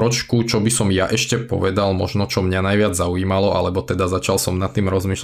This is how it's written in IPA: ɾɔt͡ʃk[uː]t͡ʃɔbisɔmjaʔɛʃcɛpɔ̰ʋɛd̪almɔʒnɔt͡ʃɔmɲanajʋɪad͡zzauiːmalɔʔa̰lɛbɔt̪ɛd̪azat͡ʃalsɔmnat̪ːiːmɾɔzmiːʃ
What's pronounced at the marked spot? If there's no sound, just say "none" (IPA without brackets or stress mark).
u